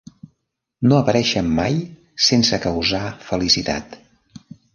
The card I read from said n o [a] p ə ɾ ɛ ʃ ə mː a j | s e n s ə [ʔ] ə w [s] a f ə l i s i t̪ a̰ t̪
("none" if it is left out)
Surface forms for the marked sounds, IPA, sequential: ə, k, z

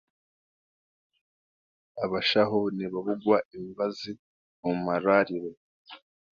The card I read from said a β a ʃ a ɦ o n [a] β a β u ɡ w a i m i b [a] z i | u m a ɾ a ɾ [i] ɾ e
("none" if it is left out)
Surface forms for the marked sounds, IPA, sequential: i, a, i

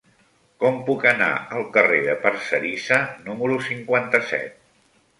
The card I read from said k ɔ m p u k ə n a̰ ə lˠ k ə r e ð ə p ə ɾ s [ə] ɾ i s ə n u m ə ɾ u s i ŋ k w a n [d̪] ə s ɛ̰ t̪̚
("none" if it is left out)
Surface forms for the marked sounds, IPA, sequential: ə, t̪

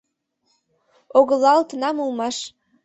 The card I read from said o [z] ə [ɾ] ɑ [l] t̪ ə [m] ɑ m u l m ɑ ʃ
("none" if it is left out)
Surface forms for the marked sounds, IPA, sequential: ɣ, l, l, n

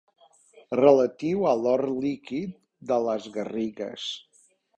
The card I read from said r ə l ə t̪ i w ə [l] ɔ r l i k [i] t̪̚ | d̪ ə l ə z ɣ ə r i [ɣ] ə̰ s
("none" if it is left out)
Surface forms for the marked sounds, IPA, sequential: l, i, ɣ

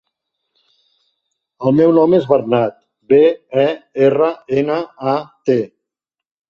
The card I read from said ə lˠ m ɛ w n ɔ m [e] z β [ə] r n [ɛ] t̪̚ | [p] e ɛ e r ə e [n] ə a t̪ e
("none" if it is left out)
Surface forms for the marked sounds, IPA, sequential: e, ə, a, b, n

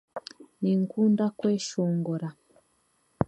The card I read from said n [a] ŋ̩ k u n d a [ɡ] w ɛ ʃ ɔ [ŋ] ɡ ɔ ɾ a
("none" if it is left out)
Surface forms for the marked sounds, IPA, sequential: i, k, ŋ

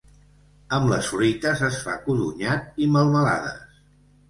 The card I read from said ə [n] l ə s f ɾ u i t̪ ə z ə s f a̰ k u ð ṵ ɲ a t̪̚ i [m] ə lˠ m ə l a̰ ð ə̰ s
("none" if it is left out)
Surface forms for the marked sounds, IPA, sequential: m, m

